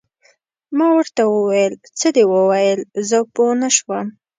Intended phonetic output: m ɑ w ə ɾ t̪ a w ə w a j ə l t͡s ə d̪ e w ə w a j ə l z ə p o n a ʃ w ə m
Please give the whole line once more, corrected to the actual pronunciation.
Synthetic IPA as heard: m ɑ w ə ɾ t̪ a w ə w a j ə l t͡s ə d̪ e w ə w a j ə l z ə p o n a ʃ w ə m